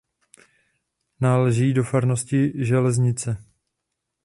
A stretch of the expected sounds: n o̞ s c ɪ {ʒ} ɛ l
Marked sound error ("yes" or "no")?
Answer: no